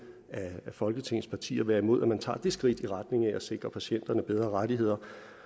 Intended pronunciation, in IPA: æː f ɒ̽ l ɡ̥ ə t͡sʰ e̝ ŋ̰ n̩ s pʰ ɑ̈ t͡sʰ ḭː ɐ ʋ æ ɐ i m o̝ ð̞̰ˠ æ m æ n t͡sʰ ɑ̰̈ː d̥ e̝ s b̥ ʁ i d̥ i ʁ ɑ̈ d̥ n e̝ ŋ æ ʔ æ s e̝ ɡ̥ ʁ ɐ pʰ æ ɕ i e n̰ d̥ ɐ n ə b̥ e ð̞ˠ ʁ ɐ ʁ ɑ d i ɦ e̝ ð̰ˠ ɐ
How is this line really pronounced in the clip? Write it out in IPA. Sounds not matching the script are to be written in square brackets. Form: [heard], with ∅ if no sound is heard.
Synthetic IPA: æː f ɒ̽ l ɡ̥ ə t͡sʰ e̝ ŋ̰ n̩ s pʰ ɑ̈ t͡sʰ ḭː ɐ ʋ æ ɐ i m o̝ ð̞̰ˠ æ m æ n t͡sʰ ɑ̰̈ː d̥ e̝ s [ɡ̥] ʁ i d̥ i ʁ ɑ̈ d̥ n e̝ ŋ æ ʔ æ s e̝ ɡ̥ ʁ ɐ pʰ æ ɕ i e n̰ d̥ ɐ n ə b̥ e ð̞ˠ ʁ ɐ ʁ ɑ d i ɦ e̝ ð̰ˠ ɐ